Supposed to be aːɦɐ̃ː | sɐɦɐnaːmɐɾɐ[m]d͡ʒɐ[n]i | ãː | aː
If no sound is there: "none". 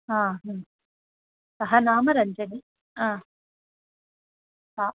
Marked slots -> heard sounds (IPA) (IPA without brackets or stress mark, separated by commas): ɲ, n